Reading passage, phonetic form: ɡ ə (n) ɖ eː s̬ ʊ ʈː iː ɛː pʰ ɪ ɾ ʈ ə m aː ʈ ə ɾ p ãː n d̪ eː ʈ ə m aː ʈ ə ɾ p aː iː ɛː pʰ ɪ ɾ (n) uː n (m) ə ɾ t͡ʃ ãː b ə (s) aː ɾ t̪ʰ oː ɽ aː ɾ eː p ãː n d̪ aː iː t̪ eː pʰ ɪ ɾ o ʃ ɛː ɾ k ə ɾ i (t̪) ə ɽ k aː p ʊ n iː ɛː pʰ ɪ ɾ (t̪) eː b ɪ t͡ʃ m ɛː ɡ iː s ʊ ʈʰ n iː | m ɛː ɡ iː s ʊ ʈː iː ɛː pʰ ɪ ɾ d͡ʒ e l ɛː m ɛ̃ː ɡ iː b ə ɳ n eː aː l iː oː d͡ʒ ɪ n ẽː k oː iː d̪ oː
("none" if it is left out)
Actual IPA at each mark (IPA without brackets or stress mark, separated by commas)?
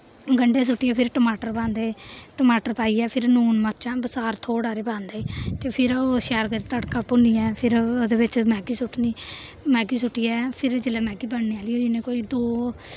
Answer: ɳ, n, m, s, t̪, d̪